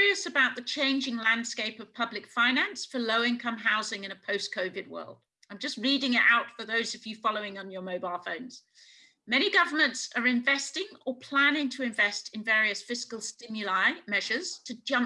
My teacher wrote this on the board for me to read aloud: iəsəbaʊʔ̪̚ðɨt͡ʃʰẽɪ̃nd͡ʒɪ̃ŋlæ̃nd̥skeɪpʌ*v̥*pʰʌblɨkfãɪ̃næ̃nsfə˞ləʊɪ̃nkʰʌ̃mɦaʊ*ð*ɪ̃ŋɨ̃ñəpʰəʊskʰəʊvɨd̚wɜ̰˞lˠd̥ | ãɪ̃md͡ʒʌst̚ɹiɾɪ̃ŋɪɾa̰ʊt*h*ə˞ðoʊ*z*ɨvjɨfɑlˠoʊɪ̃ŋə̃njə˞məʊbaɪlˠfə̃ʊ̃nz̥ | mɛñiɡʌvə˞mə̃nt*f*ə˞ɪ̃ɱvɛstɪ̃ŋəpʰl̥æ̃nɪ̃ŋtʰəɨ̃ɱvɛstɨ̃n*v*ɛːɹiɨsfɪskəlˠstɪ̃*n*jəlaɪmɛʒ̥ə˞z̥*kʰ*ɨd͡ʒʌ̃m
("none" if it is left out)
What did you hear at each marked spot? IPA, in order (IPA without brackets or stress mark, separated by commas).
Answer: v̥, z, f, z, s, v, m, tʰ